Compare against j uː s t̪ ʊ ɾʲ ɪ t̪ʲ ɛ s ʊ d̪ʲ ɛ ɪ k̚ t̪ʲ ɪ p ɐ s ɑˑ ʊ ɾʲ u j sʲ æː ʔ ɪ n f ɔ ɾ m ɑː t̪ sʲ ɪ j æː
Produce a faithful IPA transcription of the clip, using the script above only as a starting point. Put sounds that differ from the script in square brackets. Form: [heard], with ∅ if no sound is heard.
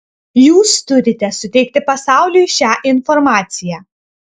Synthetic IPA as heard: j uː s t̪ ʊ ɾʲ ɪ t̪ʲ ɛ s ʊ [t̪ʲ] ɛ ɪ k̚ t̪ʲ ɪ p ɐ s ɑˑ ʊ [lʲ] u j [ʃʲ] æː ʔ ɪ n f ɔ ɾ m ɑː t̪ sʲ ɪ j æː